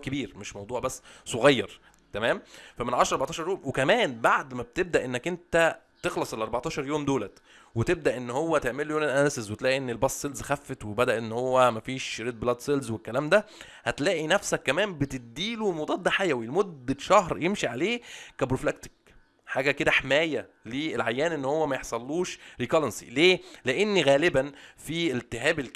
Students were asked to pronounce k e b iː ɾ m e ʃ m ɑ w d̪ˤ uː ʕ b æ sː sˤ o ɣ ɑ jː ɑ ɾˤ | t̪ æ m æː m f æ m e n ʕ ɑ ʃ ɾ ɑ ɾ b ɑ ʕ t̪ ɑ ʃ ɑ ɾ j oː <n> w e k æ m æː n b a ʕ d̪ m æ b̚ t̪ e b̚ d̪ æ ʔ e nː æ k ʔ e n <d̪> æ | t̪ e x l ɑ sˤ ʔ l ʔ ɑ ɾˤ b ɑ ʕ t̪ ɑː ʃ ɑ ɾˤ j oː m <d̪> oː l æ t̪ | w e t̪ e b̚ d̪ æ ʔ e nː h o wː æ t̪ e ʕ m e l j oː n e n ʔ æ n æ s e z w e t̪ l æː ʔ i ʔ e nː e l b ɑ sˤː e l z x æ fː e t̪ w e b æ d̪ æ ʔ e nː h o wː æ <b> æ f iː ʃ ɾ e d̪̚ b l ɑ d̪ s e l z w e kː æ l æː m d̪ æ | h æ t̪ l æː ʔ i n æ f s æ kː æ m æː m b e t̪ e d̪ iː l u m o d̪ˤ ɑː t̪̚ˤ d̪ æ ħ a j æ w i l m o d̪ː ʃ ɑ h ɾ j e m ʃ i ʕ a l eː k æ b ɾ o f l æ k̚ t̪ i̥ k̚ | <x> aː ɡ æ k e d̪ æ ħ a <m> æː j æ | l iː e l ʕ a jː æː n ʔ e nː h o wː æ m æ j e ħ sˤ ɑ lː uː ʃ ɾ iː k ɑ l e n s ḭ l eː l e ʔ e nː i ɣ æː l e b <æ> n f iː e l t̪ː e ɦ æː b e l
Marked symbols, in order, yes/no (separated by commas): no, no, yes, no, no, yes, yes